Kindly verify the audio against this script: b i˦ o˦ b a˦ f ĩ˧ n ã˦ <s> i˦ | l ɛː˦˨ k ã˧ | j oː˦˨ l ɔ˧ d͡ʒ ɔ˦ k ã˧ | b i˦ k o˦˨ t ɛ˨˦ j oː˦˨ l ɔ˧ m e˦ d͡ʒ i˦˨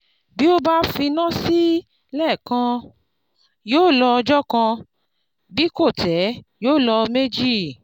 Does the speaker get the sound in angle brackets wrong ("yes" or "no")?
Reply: no